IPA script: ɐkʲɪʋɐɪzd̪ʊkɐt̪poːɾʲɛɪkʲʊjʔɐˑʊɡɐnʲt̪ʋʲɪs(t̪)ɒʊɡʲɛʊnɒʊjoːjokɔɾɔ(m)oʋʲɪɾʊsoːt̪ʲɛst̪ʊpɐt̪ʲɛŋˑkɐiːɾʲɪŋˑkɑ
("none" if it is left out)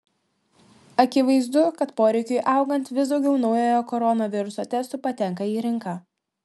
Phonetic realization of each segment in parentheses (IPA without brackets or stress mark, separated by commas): d̪, n